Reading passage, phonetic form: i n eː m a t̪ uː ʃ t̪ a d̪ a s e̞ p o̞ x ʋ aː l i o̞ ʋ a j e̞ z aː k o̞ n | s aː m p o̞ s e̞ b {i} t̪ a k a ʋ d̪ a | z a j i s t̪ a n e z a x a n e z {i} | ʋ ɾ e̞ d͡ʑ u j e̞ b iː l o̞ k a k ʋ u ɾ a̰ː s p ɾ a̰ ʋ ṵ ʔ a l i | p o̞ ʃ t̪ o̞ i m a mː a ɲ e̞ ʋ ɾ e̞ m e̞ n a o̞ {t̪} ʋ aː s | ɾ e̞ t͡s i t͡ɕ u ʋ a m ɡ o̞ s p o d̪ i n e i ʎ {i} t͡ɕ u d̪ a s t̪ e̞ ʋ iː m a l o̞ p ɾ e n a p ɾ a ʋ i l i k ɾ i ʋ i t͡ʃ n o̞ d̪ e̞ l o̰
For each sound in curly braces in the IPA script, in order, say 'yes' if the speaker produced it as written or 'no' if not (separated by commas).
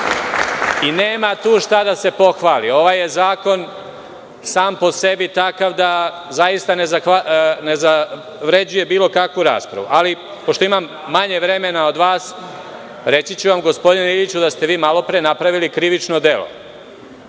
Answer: yes, no, no, yes